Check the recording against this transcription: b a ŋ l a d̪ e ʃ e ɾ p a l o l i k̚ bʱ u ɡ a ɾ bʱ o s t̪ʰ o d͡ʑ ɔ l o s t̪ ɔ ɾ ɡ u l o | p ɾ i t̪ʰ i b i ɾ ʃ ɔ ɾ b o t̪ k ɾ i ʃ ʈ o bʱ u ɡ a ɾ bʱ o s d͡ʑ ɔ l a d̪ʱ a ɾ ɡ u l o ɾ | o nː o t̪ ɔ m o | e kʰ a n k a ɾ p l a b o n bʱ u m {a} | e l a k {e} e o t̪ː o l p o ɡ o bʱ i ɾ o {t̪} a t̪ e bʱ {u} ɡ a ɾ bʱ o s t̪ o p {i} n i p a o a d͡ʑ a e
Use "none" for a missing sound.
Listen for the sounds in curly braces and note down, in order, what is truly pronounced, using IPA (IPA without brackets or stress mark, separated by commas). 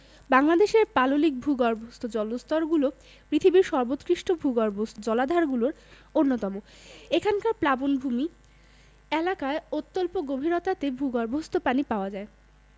i, a, t̪, u, a